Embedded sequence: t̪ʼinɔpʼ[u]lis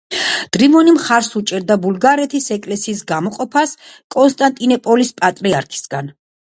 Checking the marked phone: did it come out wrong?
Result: yes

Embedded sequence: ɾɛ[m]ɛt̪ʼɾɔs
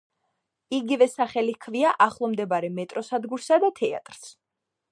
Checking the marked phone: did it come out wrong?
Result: no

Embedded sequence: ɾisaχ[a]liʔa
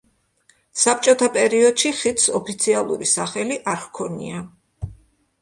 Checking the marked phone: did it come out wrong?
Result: yes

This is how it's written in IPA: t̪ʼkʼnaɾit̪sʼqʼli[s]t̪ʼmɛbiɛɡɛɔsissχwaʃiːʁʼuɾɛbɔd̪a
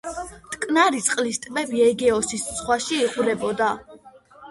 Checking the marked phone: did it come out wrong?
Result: no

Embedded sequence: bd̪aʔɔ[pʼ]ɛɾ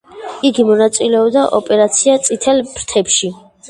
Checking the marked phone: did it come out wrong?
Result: no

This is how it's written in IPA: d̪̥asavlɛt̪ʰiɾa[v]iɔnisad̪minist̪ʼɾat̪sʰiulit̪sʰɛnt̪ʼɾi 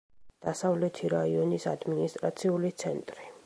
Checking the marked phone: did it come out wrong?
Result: yes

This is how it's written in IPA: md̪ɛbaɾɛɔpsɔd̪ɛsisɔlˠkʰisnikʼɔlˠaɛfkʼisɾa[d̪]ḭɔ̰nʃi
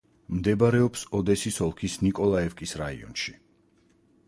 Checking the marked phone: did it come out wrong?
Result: yes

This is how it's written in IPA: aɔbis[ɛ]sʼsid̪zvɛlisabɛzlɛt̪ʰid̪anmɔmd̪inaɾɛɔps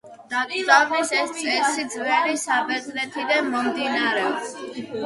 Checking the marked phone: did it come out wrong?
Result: no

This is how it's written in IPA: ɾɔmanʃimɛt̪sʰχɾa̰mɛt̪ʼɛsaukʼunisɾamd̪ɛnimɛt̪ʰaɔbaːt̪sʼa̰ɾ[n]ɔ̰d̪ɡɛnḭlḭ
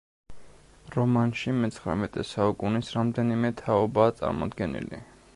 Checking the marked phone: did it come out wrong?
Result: yes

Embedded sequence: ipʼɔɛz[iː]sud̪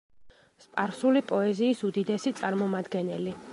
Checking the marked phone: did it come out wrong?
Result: no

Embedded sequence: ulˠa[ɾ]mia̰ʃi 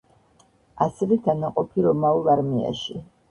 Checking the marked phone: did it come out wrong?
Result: no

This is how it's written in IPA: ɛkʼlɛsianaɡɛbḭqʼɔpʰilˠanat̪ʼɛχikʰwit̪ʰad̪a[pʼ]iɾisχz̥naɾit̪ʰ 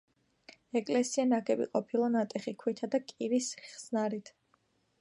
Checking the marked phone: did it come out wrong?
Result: yes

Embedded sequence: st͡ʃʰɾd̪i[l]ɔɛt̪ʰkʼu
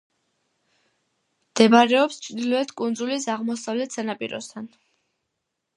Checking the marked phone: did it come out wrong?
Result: no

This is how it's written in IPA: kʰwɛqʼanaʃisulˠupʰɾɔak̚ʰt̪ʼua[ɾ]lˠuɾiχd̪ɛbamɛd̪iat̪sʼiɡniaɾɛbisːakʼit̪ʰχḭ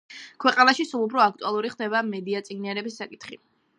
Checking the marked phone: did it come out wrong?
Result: yes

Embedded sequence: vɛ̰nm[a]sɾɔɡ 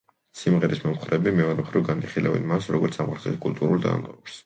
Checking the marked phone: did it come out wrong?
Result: no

